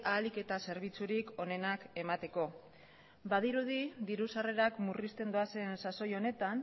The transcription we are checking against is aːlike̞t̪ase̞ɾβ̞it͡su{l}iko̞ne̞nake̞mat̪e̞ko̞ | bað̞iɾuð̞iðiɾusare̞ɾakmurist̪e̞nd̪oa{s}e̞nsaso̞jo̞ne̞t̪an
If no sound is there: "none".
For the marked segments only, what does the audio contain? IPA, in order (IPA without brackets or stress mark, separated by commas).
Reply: ɾ, s